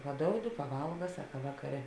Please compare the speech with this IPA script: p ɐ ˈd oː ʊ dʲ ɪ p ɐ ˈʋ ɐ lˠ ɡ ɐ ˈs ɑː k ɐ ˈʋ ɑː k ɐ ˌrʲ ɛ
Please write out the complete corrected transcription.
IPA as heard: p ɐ ˈd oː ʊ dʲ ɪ p ɐ ˈʋ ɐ lˠ ɡ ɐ ˈs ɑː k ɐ ˈʋ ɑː k ɐ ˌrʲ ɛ